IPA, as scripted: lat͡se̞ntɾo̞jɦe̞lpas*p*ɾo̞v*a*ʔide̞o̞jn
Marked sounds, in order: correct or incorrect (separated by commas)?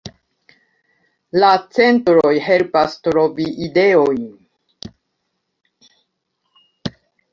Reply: incorrect, incorrect